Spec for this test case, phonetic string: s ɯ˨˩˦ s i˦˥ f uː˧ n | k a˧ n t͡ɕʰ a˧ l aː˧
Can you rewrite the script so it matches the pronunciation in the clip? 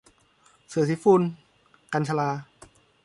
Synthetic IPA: s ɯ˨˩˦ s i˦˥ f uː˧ n | k a˧ n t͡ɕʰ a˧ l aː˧